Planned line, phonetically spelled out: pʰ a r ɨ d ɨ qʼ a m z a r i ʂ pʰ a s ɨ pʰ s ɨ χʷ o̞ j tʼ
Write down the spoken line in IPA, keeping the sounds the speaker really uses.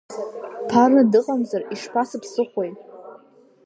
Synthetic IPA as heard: pʰ a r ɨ d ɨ qʼ a m z a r i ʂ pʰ a s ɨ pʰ s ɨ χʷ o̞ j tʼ

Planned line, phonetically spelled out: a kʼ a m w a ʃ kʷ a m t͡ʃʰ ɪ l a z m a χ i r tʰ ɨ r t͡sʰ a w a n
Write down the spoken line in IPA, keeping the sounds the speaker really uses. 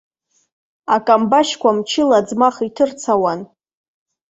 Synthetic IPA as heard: a kʼ a m b a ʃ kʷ a m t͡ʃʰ ɪ l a d͡z m a χ i tʰ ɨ r t͡sʰ a w a n

